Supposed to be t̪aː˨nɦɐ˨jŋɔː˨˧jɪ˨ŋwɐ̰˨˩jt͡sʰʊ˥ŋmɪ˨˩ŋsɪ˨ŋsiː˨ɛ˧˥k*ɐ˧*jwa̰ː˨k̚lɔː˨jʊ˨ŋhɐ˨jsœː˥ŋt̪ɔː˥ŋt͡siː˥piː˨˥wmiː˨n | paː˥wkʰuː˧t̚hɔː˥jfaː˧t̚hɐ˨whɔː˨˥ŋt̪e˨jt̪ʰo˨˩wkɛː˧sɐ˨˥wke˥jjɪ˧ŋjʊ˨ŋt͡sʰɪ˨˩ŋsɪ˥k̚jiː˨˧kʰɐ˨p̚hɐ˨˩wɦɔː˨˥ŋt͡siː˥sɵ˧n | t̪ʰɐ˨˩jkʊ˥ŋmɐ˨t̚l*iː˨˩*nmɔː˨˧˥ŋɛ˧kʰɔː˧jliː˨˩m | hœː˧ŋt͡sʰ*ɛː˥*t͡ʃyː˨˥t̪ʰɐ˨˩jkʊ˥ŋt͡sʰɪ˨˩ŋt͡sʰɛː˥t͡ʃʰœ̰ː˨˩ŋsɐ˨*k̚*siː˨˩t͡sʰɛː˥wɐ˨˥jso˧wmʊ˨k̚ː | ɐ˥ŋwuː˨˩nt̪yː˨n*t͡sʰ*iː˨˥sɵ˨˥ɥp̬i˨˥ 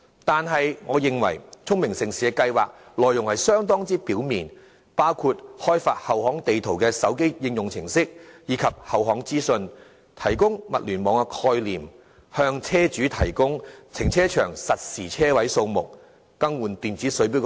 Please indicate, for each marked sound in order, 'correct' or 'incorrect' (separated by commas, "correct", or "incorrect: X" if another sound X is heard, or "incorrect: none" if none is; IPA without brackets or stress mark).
correct, incorrect: yː˨˩, correct, incorrect: t̚, incorrect: t͡s